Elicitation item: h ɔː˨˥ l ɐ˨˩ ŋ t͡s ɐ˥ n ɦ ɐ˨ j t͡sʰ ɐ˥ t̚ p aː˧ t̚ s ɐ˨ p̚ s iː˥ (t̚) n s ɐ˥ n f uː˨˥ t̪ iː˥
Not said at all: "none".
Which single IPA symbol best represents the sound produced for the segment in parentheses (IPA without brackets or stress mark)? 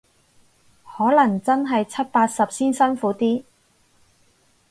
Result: none